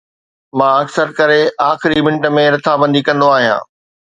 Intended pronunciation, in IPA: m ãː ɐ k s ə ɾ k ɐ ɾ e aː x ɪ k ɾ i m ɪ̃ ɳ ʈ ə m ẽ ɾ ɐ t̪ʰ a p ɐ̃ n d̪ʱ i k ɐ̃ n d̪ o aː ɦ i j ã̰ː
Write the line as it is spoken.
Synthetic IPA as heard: m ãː ɐ k s ə ɾ k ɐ ɾ e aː x ɪ ɾ i m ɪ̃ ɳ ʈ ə m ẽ ɾ ɐ t̪ʰ a b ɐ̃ n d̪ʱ i k ɐ̃ n d̪ o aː ɦ i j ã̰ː